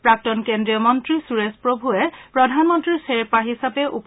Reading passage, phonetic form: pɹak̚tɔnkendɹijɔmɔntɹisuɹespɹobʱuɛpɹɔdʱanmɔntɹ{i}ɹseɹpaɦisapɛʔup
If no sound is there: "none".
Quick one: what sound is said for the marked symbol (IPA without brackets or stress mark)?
i